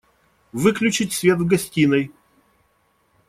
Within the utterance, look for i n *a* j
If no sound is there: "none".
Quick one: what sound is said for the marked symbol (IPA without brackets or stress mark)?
ə